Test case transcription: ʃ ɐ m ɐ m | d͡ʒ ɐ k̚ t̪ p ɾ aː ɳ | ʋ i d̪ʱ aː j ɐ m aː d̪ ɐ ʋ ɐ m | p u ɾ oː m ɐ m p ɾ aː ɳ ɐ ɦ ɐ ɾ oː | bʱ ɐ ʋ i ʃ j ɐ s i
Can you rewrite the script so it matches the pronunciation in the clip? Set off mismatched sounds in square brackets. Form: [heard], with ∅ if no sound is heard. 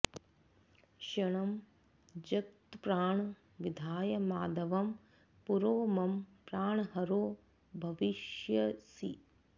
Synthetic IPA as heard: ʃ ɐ [ɳ] ɐ m | d͡ʒ ɐ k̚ t̪ p ɾ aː ɳ | ʋ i d̪ʱ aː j ɐ m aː d̪ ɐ ʋ ɐ m | p u ɾ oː m ɐ m p ɾ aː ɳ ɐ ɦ ɐ ɾ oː | bʱ ɐ ʋ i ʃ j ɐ s i